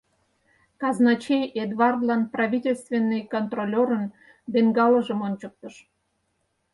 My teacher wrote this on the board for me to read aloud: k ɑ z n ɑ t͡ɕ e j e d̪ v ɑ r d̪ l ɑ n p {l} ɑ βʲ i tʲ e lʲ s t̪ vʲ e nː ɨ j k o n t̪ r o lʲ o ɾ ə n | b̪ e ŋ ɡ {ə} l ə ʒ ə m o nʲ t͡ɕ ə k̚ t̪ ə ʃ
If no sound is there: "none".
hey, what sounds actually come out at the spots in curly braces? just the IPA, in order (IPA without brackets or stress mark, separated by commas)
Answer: r, ɑ